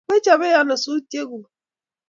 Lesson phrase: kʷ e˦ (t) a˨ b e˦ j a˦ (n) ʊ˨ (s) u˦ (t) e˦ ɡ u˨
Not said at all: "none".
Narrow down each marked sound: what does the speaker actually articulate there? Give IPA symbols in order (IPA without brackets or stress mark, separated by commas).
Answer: t͡ʃ, n, s, t